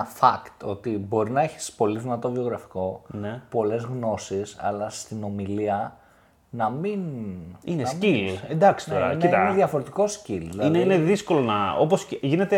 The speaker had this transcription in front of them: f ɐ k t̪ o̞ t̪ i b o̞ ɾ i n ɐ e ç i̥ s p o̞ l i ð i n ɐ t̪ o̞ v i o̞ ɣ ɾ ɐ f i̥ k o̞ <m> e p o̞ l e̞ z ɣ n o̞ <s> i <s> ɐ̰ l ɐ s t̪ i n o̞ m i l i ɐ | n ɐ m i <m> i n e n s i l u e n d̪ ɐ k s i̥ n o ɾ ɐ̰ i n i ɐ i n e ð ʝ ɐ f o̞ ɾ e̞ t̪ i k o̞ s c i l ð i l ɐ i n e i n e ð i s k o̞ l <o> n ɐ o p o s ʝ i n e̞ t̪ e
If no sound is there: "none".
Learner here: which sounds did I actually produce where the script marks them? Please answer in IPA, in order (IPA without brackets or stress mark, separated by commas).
n, s, s, n, o